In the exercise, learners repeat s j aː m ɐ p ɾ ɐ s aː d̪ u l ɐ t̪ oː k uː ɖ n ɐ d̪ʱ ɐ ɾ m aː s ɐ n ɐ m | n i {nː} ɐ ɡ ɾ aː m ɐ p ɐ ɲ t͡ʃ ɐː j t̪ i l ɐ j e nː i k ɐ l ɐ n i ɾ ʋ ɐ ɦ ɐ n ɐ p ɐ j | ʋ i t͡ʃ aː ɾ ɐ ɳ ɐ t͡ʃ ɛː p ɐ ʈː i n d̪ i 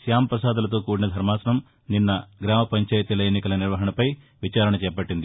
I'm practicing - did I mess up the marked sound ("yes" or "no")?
no